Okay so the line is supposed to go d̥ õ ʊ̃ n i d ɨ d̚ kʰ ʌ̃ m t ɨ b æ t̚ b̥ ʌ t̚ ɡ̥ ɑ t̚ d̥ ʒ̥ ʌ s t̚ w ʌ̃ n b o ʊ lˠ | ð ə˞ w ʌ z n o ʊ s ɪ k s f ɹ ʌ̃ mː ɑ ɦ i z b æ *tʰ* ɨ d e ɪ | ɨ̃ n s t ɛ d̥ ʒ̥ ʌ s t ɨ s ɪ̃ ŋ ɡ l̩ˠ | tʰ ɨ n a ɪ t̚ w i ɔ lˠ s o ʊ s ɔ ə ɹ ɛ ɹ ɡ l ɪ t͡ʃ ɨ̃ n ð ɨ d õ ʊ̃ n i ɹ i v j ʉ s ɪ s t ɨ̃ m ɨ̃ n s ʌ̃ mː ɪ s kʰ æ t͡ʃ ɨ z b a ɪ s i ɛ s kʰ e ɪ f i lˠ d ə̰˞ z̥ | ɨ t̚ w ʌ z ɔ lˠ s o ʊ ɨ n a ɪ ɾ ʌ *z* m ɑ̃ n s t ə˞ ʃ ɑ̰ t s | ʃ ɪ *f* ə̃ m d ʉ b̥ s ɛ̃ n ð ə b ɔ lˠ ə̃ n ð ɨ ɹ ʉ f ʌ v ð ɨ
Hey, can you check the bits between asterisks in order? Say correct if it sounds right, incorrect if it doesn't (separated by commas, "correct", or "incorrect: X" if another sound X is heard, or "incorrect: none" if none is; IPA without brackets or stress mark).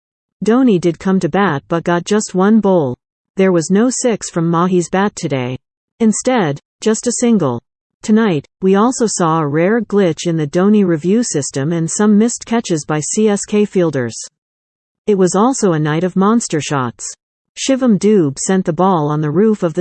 correct, incorrect: v, incorrect: v